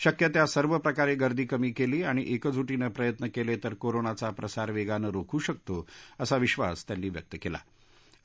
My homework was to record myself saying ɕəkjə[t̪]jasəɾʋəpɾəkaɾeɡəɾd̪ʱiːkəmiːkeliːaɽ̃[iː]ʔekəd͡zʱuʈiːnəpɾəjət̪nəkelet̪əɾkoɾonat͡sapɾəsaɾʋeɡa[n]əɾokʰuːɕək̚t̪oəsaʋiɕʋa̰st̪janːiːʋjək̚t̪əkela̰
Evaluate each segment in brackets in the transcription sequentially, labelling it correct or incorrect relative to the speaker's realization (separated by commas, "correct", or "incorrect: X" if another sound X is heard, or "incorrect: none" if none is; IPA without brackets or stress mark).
correct, incorrect: i, correct